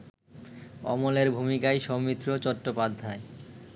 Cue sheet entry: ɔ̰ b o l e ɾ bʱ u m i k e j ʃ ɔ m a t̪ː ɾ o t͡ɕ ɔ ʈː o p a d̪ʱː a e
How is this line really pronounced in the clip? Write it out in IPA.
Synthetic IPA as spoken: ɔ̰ m o l e ɾ bʱ u m i k a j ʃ ɔ m i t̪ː ɾ o t͡ɕ ɔ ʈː o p a d̪ʱː a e